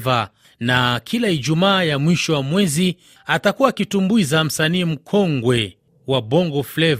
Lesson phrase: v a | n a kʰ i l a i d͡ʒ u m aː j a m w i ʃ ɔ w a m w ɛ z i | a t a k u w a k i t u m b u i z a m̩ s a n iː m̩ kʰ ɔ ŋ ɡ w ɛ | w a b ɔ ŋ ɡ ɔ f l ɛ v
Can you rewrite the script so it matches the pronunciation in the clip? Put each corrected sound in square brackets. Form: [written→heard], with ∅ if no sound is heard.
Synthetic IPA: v a | n a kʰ i l a i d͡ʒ u m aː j a m w i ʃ ɔ w a m w ɛ z i | a t a k u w a k i t u m b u i z a m̩ s a n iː m̩ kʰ ɔ ŋ ɡ w ɛ | w a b ɔ ŋ ɡ ɔ f l ɛ v